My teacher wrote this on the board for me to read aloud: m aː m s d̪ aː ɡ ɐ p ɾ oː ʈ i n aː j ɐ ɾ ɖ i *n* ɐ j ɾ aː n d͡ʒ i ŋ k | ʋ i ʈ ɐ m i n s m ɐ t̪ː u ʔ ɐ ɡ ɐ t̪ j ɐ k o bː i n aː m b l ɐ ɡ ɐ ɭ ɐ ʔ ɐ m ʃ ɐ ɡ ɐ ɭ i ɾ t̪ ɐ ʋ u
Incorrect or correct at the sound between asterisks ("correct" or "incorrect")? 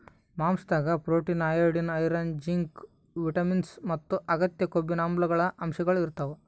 correct